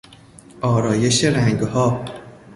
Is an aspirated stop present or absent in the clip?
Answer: absent